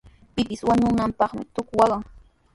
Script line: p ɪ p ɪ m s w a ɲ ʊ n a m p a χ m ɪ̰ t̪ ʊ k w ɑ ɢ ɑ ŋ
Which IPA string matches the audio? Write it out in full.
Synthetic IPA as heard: p ɪ p ɪ s w a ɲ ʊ n a m p ɑ χ m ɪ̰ t̪ ʊ k w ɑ ɢ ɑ ŋ

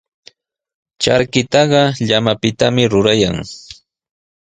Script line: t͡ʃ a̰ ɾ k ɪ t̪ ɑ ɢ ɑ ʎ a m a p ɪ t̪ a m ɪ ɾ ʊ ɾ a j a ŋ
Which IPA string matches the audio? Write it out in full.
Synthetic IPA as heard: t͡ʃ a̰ ɾ k ɪ t̪ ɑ ɢ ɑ ʎ a m a p ɪ t̪ a m ɪ ɾ ʊ ɾ a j a ŋ

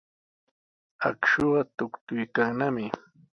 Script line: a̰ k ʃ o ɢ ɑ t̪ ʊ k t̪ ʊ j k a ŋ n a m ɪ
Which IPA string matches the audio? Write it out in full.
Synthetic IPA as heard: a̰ k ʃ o ɢ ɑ t̪ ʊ k t̪ ʊ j k a ŋ n a m ɪ

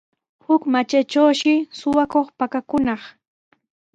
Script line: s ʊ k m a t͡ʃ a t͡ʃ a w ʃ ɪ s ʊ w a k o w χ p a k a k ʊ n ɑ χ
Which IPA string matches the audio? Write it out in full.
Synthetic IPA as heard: h ʊ k m a t͡ʃ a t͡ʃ a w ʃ ɪ s ʊ w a k o χ p a k a k ʊ n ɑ χ

